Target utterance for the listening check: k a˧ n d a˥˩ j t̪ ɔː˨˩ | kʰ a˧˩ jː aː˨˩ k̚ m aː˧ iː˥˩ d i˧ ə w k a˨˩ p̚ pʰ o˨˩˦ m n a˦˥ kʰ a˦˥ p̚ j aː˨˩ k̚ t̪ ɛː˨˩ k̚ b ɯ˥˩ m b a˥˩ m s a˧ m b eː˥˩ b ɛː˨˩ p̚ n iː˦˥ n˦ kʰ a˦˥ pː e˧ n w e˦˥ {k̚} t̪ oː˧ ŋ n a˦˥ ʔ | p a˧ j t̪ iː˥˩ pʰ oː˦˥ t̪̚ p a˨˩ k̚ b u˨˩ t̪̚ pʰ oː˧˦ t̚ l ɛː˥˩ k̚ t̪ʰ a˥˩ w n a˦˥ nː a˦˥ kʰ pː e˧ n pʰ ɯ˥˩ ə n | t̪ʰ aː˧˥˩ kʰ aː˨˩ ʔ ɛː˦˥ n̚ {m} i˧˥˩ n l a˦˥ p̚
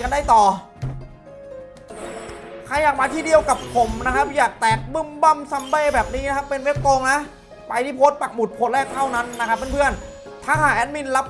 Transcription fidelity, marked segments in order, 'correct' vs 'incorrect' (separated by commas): incorrect, correct